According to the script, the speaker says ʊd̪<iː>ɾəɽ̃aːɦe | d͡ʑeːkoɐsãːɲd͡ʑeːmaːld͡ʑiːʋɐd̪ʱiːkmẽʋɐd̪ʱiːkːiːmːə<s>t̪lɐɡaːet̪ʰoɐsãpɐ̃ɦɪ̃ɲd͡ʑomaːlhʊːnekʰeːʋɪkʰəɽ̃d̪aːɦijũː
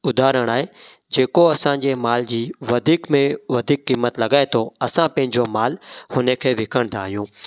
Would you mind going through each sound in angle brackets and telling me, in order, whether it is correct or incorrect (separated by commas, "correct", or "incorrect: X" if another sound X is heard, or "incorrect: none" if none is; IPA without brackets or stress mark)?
incorrect: aː, incorrect: none